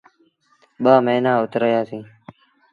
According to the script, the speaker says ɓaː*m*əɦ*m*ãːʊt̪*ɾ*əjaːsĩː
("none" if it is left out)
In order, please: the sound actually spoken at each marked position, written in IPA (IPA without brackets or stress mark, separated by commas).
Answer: m, n, ɾ